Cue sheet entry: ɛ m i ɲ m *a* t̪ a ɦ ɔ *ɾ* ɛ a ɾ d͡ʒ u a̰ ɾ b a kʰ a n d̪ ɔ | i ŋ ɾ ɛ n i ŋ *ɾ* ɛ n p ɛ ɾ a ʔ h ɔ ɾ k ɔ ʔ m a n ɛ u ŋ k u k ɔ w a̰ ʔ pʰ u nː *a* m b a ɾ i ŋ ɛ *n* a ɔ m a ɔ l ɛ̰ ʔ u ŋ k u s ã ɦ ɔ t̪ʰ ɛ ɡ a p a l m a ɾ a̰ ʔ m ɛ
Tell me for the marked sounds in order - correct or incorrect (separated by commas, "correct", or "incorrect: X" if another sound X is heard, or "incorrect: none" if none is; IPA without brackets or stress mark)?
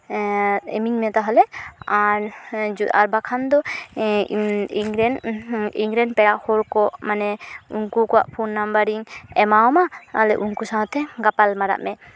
incorrect: ɛ, incorrect: l, correct, correct, incorrect: m